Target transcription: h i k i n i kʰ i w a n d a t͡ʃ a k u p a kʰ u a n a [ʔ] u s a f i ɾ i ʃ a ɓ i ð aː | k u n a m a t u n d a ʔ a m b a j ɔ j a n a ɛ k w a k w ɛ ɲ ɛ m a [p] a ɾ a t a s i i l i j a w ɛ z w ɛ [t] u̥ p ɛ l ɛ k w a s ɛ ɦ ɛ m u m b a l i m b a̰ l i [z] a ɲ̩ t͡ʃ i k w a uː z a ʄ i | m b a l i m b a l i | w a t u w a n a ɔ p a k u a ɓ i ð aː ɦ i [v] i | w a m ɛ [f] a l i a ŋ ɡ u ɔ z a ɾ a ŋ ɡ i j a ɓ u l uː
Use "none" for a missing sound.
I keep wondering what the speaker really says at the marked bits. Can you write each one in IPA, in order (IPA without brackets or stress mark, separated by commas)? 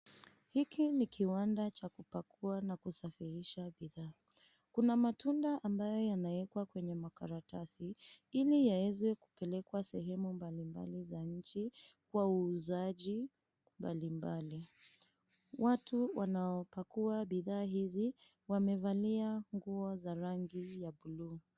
k, k, k, z, z, v